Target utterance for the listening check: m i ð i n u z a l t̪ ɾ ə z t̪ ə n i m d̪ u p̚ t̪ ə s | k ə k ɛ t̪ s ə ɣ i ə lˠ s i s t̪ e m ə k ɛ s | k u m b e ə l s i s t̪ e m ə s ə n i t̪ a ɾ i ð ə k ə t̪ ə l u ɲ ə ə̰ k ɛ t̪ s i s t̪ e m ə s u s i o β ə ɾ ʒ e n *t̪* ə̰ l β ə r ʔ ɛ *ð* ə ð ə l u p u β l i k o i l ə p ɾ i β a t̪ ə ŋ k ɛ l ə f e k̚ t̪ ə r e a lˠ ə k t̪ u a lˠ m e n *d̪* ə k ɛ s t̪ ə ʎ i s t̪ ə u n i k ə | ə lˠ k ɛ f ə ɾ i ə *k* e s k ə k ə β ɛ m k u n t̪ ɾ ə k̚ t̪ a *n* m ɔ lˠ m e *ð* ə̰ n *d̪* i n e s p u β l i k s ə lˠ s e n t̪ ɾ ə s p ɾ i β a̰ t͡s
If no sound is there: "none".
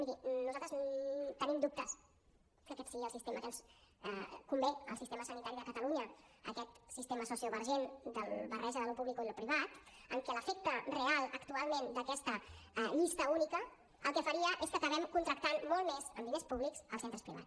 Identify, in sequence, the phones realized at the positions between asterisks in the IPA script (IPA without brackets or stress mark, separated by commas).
d̪, ʒ, d̪, ʔ, n, z, d̪